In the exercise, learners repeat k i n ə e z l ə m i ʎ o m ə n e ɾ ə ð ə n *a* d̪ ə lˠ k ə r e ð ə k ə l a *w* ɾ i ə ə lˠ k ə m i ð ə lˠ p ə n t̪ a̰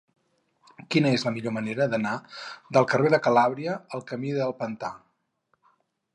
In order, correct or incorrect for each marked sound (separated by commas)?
correct, incorrect